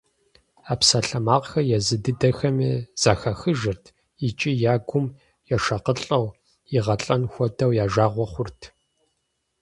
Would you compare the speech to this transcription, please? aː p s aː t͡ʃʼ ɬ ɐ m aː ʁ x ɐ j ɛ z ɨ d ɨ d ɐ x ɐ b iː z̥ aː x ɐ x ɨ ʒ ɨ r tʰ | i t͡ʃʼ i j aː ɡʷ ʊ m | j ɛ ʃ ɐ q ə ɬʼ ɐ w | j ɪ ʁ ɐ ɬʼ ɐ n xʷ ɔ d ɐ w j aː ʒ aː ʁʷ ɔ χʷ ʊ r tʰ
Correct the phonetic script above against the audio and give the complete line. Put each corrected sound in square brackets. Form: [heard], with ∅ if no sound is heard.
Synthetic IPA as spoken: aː p s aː [∅] ɬ ɐ m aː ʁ x ɐ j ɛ z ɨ d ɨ d ɐ x ɐ [m] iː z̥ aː x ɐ x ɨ ʒ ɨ r tʰ | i t͡ʃʼ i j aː ɡʷ ʊ m | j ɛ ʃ ɐ q ə ɬʼ ɐ w | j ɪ ʁ ɐ ɬʼ ɐ n xʷ ɔ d ɐ w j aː ʒ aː ʁʷ ɔ χʷ ʊ r tʰ